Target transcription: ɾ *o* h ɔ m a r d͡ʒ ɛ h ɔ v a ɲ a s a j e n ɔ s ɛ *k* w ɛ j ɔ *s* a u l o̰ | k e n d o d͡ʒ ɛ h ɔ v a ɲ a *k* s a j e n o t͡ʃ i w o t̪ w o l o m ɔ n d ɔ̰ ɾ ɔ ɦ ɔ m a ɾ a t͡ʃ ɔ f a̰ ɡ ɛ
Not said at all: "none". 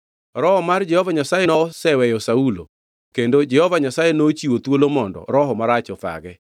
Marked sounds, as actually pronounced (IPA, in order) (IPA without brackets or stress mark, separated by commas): ɔ, none, s, none